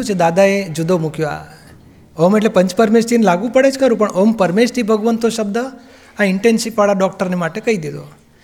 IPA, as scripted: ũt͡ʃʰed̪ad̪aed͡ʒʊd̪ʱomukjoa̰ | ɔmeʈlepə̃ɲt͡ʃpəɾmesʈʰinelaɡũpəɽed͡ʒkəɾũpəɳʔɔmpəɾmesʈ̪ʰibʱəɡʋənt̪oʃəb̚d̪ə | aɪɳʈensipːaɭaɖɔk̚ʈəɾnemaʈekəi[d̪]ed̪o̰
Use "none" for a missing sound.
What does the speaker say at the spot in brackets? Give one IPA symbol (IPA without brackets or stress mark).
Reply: d̪